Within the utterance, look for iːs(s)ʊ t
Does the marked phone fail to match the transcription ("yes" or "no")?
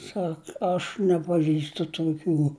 yes